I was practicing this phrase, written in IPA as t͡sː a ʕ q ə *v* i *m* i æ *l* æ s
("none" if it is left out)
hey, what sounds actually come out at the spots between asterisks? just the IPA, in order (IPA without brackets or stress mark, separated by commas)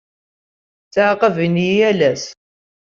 v, n, l